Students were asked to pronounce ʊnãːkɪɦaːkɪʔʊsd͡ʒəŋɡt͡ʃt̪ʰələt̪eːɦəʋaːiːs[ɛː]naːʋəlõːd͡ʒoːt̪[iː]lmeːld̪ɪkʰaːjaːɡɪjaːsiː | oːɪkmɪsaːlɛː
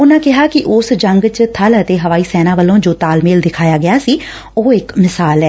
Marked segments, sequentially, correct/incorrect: correct, incorrect: aː

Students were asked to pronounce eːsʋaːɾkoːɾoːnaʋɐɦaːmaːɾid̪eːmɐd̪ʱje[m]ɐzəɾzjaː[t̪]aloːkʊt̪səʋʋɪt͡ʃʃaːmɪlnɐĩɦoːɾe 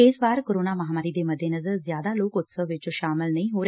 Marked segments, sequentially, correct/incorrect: incorrect: n, incorrect: d̪

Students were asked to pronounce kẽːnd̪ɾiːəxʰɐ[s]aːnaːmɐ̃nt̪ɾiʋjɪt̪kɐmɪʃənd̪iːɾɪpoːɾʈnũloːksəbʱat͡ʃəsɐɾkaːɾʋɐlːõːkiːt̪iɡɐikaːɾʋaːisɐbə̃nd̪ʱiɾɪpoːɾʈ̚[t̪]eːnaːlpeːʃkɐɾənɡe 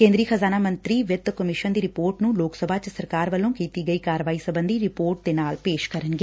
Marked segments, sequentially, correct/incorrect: incorrect: z, incorrect: d̪

